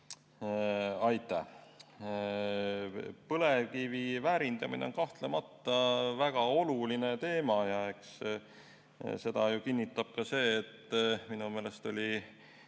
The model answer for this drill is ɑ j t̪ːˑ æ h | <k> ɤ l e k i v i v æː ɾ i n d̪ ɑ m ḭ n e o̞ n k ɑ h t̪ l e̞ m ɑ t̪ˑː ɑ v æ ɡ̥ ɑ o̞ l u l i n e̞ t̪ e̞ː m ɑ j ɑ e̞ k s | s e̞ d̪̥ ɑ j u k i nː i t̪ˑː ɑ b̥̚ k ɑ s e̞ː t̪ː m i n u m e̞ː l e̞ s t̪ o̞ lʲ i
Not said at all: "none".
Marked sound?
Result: p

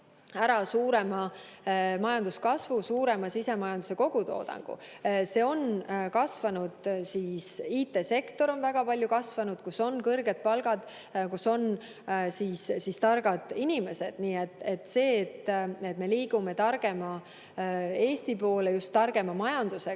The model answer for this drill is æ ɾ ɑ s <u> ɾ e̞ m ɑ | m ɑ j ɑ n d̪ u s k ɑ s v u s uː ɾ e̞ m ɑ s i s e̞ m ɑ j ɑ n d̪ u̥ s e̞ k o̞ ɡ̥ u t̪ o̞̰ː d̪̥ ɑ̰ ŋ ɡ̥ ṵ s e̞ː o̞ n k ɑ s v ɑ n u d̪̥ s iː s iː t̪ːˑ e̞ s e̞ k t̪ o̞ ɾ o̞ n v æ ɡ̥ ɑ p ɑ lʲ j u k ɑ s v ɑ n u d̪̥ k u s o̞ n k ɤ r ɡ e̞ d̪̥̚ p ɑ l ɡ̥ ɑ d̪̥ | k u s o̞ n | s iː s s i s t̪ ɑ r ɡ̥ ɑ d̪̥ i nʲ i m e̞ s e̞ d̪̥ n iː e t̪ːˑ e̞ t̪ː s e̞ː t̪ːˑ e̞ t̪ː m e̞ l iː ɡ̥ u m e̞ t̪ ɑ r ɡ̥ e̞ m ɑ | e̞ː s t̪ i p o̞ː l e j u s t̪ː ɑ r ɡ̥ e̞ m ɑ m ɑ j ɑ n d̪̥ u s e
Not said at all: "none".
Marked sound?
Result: uː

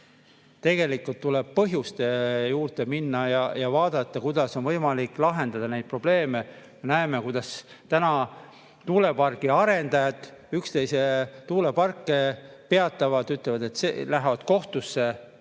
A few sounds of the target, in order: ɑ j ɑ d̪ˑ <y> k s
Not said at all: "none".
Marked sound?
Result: y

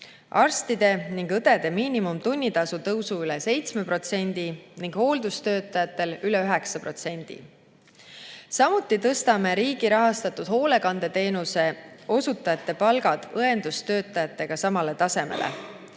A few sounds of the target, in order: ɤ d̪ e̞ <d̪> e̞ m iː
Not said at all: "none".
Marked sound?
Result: d̪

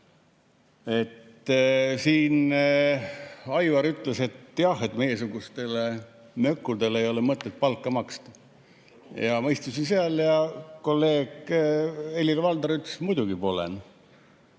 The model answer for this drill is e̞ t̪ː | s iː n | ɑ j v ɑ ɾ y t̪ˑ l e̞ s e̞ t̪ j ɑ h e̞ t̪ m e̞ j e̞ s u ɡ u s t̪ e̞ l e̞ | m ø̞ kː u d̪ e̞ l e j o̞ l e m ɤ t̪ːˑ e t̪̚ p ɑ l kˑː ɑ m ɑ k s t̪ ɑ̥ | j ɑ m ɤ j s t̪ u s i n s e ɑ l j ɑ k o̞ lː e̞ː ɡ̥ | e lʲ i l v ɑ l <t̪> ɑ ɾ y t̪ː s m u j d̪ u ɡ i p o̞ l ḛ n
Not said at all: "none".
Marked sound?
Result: d̪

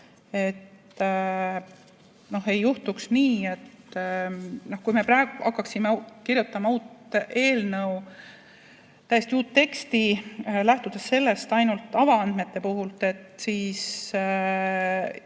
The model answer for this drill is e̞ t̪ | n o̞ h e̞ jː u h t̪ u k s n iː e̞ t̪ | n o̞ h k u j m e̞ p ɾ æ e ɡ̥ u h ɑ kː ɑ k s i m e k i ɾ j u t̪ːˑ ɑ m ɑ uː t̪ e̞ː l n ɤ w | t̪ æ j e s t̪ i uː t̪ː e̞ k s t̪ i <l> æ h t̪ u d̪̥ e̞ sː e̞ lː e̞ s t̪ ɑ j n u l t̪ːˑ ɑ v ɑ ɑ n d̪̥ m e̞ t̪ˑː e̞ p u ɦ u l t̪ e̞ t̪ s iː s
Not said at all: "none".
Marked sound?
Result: l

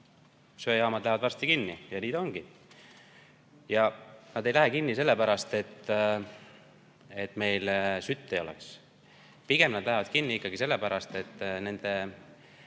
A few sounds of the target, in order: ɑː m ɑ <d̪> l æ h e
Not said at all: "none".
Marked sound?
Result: d̪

